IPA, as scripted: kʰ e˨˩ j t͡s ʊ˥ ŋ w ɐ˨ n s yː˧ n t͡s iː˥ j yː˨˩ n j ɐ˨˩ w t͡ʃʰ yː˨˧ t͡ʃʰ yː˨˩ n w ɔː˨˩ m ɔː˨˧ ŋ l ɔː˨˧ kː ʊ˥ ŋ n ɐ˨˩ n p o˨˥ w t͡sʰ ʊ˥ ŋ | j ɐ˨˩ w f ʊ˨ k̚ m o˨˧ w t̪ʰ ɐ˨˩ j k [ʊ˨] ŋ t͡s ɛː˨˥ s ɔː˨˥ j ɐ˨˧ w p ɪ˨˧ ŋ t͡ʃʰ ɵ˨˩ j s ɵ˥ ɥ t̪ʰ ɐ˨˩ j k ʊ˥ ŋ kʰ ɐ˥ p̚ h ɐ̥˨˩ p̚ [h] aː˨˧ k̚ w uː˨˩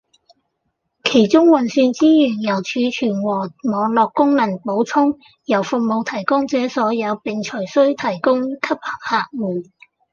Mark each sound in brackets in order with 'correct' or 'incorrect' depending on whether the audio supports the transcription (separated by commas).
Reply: incorrect, correct